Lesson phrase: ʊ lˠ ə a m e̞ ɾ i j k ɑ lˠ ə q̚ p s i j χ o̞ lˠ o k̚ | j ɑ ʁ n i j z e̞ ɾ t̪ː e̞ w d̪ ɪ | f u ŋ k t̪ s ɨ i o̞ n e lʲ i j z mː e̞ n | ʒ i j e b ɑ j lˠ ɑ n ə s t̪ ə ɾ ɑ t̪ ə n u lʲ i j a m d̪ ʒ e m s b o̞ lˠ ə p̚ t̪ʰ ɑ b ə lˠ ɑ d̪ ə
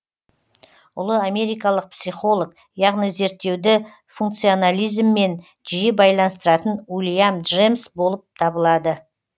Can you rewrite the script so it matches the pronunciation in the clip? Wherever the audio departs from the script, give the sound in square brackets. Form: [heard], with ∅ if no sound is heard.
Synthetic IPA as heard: ʊ lˠ ə a m e̞ ɾ i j k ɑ lˠ ə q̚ p s i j χ o̞ lˠ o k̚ | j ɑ ʁ n i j z e̞ ɾ t̪ː e̞ w d̪ ɪ | f u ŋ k t̪ s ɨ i o̞ n [a] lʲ i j z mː e̞ n | ʒ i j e b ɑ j lˠ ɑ n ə s t̪ ə ɾ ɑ t̪ ə n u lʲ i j a m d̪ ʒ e m s b o̞ lˠ ə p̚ t̪ʰ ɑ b ə lˠ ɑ d̪ ə

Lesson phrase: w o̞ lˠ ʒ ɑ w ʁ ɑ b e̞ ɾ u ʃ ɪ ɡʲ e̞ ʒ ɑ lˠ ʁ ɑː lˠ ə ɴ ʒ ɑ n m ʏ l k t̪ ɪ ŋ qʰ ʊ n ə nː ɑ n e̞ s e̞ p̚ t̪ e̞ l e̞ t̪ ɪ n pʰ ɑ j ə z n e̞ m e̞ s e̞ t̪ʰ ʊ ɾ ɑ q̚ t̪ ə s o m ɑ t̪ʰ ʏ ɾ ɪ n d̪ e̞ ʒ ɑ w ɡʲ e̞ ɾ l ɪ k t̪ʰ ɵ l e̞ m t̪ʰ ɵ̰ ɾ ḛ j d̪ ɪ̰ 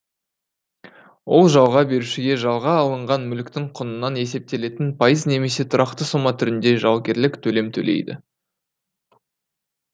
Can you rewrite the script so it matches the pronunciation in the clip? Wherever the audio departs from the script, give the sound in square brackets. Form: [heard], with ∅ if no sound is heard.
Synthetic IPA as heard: w o̞ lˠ ʒ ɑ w ʁ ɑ b e̞ ɾ u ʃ ɪ ɡʲ e̞ ʒ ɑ lˠ ʁ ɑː lˠ ə ɴ [ʁ] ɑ n m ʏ l k t̪ ɪ ŋ qʰ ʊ n ə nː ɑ n e̞ s e̞ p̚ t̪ e̞ l e̞ t̪ ɪ n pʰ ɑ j ə z n e̞ m e̞ s e̞ t̪ʰ ʊ ɾ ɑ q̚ t̪ ə s o m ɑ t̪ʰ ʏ ɾ ɪ n d̪ e̞ ʒ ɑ w ɡʲ e̞ ɾ l ɪ k t̪ʰ ɵ l e̞ m t̪ʰ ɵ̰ [l] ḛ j d̪ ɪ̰

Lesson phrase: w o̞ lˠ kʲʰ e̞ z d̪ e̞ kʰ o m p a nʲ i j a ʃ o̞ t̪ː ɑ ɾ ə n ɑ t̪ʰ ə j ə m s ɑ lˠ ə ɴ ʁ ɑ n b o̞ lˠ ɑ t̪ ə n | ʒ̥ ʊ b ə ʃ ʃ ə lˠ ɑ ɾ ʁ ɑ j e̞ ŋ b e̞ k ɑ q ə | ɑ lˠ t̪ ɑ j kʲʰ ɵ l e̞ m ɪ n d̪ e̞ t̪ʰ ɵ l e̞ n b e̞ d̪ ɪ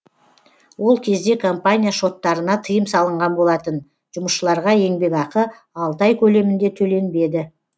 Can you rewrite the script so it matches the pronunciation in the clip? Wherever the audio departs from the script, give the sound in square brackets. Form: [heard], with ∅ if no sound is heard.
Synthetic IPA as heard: w o̞ lˠ kʲʰ e̞ z d̪ e̞ kʰ o m p a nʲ i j a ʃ o̞ t̪ː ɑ ɾ ə n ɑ t̪ʰ ə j ə m s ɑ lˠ ə ɴ ʁ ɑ n b o̞ lˠ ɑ t̪ ə n | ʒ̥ ʊ [m] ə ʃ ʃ ə lˠ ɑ ɾ ʁ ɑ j e̞ ŋ b e̞ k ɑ q ə | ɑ lˠ t̪ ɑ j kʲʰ ɵ l e̞ m ɪ n d̪ e̞ t̪ʰ ɵ l e̞ n b e̞ d̪ ɪ

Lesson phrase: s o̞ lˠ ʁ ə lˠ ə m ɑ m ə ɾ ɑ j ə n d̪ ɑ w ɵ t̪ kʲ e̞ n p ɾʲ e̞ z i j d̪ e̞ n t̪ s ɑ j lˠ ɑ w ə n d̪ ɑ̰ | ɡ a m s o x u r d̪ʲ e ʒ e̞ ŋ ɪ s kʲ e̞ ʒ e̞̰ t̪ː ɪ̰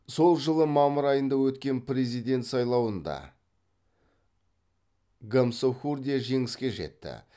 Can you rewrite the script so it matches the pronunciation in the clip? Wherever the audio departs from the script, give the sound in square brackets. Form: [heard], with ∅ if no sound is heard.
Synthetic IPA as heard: s o̞ lˠ [ʒ] ə lˠ ə m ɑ m ə ɾ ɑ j ə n d̪ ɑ w ɵ t̪ kʲ e̞ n p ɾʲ e̞ z i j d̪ e̞ n t̪ s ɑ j lˠ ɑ w ə n d̪ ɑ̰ | ɡ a m s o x u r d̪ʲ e ʒ e̞ ŋ ɪ s kʲ e̞ ʒ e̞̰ t̪ː ɪ̰

